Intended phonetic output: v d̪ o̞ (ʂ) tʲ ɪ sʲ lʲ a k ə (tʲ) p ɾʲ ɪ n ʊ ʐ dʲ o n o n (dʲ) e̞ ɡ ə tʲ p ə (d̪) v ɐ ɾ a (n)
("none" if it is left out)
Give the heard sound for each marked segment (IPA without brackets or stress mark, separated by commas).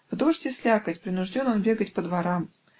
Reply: ʂ, tʲ, bʲ, d̪, m